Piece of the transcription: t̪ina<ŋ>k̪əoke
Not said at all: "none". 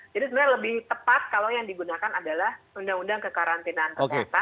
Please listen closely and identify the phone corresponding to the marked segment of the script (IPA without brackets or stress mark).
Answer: n